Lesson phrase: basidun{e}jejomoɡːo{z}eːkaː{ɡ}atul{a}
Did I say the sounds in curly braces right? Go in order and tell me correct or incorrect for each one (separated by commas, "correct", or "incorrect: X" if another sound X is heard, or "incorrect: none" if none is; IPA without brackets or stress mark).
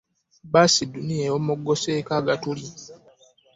incorrect: i, incorrect: s, correct, incorrect: i